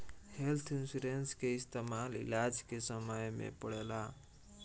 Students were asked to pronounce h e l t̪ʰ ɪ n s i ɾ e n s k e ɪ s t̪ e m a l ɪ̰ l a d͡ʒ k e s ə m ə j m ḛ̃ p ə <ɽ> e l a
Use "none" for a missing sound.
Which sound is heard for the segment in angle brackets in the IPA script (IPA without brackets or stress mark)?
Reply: ɽ